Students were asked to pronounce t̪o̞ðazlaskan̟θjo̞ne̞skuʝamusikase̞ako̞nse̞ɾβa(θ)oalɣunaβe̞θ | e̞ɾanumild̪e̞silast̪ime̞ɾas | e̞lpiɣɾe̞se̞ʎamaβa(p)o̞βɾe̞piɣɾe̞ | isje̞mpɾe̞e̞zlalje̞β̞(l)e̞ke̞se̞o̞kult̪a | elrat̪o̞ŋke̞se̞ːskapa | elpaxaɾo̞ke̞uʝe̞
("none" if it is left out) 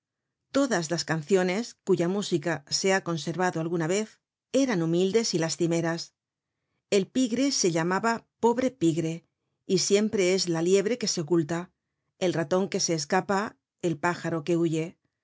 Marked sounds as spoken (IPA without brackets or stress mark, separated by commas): ð, p, ɾ